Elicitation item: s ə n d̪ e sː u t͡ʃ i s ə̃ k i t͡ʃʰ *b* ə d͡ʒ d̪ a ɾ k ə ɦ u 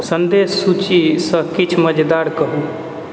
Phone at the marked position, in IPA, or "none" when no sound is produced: m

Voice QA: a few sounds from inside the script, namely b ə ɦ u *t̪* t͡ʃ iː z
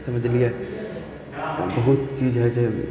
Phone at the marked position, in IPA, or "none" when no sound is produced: t̪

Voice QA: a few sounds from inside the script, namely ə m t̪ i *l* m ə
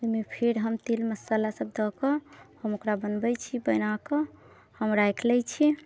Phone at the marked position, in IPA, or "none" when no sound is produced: l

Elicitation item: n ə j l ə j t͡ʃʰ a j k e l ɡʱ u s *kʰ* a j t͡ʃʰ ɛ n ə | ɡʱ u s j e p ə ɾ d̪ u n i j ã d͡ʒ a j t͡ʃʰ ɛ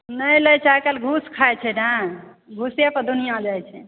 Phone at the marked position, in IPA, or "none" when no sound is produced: kʰ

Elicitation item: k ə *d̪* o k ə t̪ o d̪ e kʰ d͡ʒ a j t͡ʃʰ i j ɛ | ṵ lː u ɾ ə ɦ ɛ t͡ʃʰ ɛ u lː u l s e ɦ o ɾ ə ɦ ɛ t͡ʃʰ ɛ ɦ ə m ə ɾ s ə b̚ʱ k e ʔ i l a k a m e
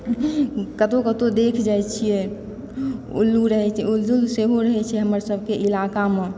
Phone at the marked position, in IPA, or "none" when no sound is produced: t̪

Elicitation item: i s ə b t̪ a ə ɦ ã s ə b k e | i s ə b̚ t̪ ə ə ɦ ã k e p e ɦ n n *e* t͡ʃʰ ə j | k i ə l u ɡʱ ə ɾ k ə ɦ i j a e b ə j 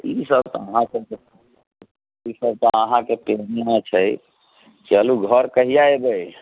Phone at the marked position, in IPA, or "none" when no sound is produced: a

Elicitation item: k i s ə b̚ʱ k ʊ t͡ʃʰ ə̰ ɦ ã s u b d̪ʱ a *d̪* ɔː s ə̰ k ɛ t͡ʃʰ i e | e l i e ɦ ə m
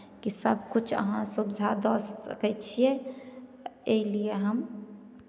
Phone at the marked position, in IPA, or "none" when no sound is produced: d̪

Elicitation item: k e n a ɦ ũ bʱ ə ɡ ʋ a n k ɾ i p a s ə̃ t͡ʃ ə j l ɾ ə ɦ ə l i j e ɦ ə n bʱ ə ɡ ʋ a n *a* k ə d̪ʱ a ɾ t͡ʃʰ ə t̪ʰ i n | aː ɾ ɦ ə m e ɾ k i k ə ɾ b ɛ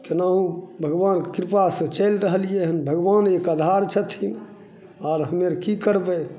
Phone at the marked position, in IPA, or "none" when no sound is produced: e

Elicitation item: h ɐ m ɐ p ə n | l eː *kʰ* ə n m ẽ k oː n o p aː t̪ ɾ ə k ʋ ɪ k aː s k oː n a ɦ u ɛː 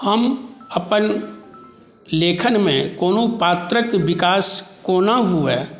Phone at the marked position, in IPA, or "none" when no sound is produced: kʰ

